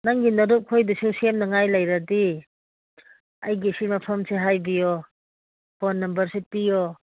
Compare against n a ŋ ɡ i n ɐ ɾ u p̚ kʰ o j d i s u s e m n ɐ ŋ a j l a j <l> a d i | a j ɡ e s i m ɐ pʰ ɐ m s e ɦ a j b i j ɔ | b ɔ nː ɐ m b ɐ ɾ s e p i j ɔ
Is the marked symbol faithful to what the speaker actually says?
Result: no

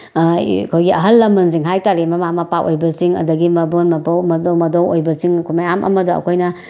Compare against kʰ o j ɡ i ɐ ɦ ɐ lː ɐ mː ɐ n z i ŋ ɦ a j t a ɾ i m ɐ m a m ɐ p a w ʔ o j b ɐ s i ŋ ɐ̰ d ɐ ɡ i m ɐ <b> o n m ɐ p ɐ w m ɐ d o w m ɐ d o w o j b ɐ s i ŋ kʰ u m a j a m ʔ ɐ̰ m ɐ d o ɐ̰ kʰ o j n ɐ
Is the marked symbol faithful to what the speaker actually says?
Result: yes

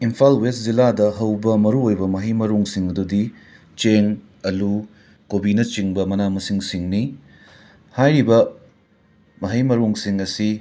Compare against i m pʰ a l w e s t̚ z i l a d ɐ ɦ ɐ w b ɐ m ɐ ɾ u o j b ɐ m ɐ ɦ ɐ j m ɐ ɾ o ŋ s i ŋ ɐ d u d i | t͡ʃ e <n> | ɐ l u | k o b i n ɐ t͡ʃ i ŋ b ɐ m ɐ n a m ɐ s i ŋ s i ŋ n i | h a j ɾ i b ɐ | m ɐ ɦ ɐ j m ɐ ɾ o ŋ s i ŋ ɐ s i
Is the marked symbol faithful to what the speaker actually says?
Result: no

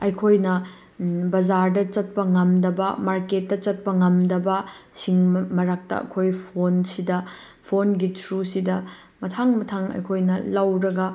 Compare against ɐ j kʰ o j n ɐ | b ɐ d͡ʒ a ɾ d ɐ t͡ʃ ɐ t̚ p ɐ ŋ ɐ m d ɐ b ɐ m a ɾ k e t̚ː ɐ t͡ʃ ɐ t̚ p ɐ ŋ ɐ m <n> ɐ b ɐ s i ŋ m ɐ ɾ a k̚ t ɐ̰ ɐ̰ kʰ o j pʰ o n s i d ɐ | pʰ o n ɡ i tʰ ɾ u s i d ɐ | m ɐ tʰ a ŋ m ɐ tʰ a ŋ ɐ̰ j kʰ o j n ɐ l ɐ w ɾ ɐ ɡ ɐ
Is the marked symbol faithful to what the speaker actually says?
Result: no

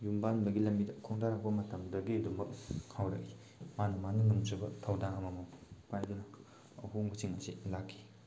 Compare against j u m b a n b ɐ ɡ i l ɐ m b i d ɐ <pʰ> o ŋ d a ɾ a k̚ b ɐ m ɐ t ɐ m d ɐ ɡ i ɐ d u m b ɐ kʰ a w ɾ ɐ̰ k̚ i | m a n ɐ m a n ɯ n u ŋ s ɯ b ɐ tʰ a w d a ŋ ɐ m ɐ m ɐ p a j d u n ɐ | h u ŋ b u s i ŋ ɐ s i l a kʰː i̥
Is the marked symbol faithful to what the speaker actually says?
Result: no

